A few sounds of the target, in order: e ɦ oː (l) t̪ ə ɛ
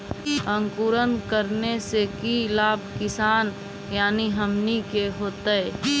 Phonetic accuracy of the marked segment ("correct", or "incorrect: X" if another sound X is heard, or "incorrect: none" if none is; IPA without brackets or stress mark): incorrect: none